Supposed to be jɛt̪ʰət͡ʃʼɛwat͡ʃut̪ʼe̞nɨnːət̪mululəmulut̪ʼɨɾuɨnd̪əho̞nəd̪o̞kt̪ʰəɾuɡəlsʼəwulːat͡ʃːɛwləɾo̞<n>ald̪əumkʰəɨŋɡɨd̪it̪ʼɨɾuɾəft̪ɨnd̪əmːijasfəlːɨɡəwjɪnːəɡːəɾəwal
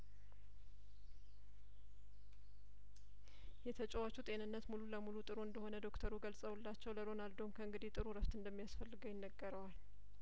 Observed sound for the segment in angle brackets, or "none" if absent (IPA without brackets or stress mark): n